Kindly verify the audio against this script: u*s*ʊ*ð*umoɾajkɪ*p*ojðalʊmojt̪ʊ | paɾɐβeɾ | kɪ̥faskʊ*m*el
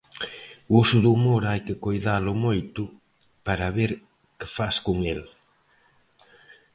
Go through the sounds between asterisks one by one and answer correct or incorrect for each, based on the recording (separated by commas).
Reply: correct, correct, incorrect, incorrect